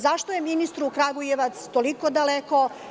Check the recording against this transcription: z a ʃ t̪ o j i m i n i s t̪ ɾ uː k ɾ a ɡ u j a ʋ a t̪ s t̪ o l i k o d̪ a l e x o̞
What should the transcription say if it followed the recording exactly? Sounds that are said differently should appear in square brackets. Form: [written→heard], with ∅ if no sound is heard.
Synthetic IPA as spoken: z a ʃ t̪ o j [i→e] m i n i s t̪ ɾ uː k ɾ a ɡ u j [a→e] ʋ a t̪ s t̪ o l i k o d̪ a l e [x→k] o̞